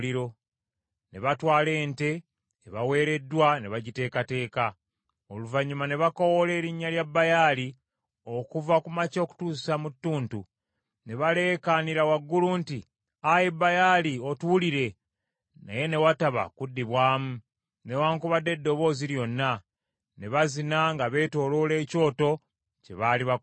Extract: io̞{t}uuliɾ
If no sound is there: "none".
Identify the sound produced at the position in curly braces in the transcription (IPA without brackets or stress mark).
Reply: t